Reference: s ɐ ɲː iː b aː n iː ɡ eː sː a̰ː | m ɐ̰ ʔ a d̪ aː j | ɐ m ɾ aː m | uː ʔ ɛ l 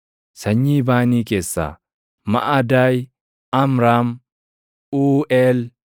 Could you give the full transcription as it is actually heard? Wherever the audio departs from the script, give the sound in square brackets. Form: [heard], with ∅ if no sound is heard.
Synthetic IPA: s ɐ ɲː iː b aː n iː [k] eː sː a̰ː | m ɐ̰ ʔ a d̪ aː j | ɐ m ɾ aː m | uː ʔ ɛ l